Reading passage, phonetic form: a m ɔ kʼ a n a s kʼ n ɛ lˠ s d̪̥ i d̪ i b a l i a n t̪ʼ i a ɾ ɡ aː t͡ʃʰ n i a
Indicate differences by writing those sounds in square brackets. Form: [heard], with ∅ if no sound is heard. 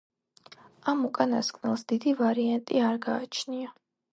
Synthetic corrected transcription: a m [u] kʼ a n a s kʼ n ɛ lˠ s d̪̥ i d̪ i [v] a [ɾ] i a n t̪ʼ i a ɾ ɡ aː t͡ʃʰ n i a